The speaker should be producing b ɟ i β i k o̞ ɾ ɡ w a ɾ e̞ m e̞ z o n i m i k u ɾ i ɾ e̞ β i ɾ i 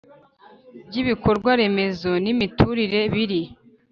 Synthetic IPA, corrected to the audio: b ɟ i β i k o̞ ɾ ɡ w a ɾ e̞ m e̞ z o n i m i t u ɾ i ɾ e̞ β i ɾ i